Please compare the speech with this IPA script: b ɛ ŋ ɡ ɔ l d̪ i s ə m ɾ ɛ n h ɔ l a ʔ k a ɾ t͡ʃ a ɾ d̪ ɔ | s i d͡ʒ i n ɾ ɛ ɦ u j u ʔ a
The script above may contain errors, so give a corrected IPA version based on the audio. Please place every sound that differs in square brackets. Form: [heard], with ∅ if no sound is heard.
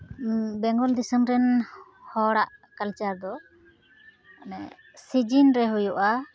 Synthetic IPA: b ɛ ŋ ɡ ɔ l d̪ i s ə m ɾ ɛ n h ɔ [ɽ] a ʔ k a [l] t͡ʃ a ɾ d̪ ɔ | s i d͡ʒ i n ɾ ɛ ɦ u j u ʔ a